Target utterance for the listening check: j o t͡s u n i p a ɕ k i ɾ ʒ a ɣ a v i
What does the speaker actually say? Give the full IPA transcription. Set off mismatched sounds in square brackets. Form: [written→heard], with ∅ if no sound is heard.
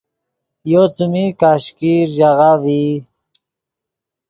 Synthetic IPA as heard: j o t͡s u [n→m] i [p→k] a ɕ k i ɾ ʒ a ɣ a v i